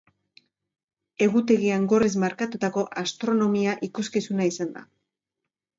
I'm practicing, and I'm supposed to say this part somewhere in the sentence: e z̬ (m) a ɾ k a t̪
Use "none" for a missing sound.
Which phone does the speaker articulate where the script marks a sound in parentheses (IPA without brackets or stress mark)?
m